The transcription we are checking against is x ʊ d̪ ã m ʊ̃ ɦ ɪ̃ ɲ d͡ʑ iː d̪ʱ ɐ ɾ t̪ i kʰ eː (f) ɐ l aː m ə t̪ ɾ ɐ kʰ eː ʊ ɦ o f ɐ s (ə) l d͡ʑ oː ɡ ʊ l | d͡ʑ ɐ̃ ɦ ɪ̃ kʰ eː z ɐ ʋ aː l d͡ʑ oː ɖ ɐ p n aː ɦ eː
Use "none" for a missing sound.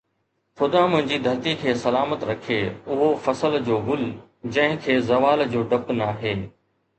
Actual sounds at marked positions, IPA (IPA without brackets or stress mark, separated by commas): s, ə